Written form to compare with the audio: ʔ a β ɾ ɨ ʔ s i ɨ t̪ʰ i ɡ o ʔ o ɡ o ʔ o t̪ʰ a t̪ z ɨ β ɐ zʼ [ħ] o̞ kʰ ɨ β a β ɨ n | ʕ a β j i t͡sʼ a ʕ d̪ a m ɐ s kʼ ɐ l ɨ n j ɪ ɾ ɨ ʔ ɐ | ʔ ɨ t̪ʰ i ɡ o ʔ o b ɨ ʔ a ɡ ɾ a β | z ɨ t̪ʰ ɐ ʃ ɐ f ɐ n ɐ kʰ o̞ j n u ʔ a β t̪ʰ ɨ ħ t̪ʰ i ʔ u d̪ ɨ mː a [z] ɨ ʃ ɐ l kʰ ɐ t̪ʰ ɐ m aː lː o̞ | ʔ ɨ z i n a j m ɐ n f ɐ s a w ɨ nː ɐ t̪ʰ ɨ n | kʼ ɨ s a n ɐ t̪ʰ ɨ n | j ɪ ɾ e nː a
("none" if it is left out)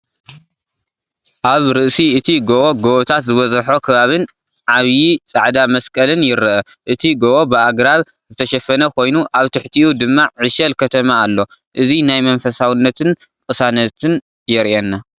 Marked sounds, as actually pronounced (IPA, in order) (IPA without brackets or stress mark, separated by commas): ħ, ʕ